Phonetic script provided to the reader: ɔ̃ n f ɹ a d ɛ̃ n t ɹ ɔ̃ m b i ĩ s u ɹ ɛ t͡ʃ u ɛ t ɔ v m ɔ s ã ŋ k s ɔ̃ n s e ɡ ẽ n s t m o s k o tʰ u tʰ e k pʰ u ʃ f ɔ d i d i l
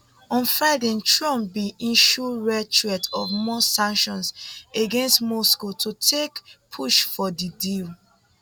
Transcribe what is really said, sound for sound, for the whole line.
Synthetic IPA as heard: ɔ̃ n f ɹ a d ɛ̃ n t ɹ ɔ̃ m b i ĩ ʃ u ɹ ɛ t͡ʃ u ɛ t ɔ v m ɔ s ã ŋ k ʃ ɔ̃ n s e ɡ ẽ n s t m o s k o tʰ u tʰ e k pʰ u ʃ f ɔ d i d i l